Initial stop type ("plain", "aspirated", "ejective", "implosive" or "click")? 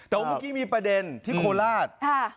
plain